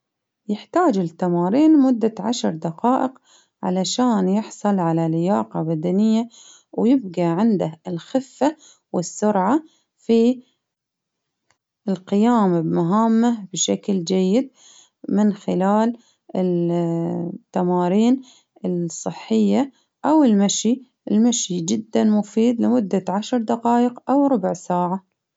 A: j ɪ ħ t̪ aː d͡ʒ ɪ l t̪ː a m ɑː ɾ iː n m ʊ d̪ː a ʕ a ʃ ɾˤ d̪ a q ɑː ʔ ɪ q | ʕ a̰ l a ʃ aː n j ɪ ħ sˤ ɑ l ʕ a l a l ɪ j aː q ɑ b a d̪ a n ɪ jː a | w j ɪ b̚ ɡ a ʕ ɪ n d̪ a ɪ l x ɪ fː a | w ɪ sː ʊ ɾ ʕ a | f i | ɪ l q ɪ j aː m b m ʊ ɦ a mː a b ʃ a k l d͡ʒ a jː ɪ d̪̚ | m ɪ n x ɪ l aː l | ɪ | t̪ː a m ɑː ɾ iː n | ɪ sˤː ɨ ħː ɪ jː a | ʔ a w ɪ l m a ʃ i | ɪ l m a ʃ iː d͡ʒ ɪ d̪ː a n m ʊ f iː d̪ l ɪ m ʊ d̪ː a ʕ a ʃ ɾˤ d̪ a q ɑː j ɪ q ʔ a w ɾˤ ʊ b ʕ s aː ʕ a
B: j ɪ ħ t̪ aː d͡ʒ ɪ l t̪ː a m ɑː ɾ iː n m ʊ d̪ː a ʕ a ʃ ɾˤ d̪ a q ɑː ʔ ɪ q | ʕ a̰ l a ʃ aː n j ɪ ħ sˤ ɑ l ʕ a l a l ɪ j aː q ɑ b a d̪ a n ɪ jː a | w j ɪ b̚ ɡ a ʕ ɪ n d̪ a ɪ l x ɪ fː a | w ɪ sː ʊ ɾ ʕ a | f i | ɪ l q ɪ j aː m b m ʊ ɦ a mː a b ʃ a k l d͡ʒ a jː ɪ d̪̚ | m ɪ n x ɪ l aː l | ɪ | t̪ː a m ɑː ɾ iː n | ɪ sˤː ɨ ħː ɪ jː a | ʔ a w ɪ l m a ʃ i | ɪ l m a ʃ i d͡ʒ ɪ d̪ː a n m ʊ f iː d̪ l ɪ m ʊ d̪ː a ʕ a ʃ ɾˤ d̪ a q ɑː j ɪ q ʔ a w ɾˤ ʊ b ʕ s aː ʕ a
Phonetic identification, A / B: B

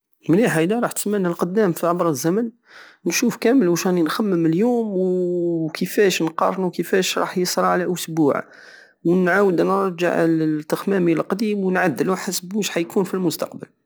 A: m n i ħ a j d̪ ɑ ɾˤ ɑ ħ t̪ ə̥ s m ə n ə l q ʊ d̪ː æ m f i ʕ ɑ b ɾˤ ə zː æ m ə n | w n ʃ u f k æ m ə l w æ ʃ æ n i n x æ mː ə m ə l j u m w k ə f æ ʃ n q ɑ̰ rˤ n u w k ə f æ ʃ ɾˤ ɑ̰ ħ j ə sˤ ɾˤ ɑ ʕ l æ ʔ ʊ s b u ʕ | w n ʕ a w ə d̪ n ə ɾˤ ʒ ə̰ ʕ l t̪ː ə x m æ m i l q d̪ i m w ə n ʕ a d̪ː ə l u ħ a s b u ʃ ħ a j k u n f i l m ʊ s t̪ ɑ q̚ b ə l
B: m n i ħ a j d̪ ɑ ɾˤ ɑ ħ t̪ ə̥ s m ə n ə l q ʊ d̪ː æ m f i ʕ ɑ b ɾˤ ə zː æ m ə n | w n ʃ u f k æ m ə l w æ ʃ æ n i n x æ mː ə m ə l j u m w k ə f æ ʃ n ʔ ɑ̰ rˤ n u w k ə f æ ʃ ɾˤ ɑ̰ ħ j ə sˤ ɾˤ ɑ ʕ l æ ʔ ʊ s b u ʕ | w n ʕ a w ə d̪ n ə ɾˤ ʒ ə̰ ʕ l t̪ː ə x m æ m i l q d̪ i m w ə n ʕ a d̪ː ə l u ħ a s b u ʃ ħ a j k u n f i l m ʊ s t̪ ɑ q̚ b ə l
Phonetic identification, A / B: A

